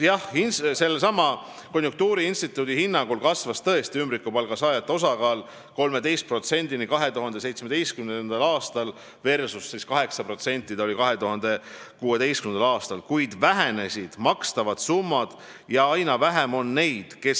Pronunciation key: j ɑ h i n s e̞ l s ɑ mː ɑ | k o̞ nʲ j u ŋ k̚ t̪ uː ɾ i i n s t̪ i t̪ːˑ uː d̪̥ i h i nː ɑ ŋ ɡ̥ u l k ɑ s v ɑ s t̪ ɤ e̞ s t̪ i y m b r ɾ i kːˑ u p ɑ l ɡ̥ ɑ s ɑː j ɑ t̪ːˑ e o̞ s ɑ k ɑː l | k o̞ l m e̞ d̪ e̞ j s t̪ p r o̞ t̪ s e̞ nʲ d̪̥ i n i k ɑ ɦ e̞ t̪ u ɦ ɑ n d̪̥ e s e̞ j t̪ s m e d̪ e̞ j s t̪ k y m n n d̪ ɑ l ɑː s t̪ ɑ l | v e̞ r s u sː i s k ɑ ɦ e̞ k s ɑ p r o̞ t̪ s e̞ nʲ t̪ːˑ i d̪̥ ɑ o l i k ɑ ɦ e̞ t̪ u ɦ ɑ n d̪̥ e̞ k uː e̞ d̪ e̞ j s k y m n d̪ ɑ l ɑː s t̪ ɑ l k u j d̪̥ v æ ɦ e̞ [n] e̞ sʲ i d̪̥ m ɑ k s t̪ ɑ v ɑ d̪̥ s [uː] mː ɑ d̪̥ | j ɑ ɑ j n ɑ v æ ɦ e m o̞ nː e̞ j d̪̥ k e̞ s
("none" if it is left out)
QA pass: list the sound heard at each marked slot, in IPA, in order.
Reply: n, u

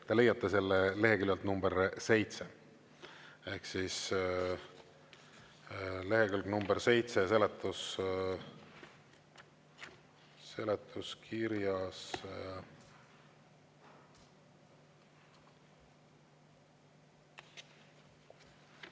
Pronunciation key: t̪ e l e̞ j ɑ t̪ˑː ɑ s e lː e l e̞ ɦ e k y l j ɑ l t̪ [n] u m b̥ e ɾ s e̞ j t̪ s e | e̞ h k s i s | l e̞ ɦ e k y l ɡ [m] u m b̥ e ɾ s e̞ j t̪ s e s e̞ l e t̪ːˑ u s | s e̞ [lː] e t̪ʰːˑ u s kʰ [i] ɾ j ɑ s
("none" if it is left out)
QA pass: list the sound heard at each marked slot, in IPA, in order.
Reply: n, n, l, i

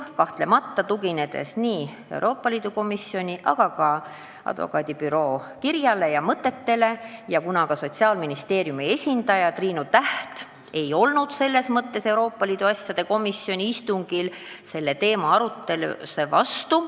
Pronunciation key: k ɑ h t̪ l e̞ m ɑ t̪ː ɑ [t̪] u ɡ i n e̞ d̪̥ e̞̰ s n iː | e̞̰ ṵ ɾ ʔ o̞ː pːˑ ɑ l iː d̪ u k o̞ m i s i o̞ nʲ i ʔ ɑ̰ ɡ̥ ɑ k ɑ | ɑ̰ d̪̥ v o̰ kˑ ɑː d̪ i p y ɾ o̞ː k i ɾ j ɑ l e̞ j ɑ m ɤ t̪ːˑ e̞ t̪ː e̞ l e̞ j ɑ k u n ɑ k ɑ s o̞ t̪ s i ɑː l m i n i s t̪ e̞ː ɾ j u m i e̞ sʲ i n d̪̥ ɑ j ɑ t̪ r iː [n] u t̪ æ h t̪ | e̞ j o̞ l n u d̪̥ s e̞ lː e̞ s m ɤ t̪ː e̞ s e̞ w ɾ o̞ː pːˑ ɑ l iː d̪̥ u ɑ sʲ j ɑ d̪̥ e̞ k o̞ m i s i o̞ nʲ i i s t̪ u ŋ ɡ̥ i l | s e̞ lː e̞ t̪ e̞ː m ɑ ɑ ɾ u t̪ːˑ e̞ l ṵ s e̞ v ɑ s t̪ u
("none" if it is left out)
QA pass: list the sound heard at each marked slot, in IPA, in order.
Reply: t̪, n

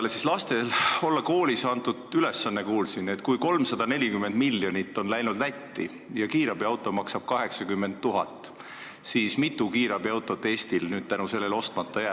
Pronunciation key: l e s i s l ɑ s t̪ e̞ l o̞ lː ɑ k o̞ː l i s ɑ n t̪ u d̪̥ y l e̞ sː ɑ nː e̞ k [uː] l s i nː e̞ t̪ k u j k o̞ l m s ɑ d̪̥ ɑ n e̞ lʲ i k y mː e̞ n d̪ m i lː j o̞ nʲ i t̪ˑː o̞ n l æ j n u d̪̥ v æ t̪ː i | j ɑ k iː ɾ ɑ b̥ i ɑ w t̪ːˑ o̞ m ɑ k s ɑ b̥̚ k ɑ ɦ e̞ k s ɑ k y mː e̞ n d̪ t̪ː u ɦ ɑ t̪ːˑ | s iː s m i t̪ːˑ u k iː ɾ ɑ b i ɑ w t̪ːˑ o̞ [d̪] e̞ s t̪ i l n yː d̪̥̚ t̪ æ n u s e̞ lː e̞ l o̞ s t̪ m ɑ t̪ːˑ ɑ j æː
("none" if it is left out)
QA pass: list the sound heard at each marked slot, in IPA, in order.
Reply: uː, t̪

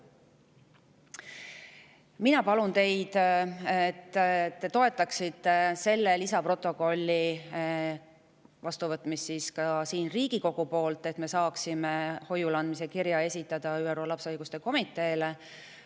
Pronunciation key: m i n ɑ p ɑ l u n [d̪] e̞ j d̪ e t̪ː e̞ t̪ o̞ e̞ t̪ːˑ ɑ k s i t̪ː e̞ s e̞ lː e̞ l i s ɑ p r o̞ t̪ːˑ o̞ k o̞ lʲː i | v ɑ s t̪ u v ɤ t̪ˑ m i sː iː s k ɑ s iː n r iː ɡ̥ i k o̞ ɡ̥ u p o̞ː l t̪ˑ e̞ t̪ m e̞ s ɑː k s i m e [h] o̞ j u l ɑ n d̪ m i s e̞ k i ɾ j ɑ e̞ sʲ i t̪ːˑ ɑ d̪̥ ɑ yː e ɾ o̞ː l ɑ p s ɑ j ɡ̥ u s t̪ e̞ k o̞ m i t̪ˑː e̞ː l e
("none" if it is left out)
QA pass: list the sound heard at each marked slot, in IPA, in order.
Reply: t̪, h

